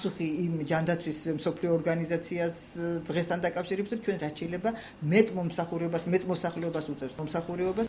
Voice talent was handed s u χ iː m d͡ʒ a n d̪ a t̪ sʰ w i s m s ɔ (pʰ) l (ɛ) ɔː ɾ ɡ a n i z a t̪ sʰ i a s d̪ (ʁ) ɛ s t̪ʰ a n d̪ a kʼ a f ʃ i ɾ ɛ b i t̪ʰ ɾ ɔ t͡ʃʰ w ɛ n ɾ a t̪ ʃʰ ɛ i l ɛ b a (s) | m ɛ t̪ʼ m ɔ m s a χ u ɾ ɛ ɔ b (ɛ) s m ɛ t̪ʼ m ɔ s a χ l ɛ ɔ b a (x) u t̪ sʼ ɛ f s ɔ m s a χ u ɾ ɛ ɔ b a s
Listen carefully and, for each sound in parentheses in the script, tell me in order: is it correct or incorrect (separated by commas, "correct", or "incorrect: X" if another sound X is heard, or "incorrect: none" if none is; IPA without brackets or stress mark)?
correct, incorrect: i, correct, incorrect: none, incorrect: a, incorrect: s